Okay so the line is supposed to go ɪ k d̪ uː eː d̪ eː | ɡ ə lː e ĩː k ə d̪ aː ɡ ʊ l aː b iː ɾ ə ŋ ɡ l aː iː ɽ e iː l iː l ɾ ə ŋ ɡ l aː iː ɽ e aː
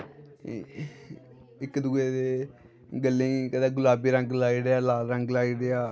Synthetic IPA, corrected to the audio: ɪ k d̪ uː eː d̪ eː | ɡ ə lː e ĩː k ə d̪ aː ɡ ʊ l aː b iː ɾ ə ŋ ɡ l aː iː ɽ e aː l aː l ɾ ə ŋ ɡ l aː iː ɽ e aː